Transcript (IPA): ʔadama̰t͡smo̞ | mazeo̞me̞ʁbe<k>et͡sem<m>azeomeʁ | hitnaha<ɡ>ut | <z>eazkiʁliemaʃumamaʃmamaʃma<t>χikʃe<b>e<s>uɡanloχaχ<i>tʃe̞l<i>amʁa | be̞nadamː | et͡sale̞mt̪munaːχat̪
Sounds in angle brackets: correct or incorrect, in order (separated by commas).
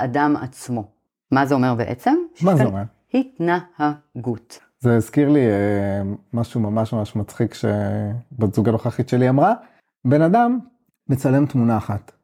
incorrect, correct, correct, correct, incorrect, correct, incorrect, correct, correct